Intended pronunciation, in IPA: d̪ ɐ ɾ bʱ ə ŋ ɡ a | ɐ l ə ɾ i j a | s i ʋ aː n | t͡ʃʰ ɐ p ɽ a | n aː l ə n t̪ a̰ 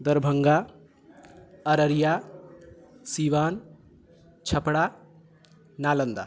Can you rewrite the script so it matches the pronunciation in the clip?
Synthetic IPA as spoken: d̪ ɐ ɾ bʱ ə ŋ ɡ a | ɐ ɾ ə ɾ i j a | s i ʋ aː n | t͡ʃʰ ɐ p ɽ a | n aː l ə n d̪ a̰